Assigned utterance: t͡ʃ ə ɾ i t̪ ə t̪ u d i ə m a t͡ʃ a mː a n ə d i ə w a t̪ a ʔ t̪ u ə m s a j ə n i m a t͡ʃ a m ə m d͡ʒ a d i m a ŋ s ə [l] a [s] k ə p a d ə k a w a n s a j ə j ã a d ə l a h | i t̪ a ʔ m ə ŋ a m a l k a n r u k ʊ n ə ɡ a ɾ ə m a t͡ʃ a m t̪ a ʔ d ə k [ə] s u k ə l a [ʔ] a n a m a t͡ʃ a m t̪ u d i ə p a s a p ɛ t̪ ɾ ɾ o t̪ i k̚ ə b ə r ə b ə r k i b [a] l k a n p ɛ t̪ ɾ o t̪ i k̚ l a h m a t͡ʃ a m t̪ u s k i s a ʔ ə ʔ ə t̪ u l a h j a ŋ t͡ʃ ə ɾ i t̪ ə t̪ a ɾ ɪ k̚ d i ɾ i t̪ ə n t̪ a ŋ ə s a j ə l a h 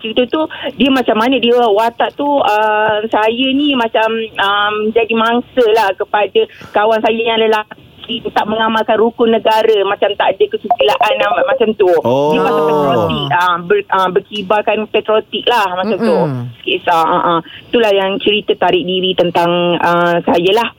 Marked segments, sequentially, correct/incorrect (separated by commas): correct, incorrect, correct, correct, correct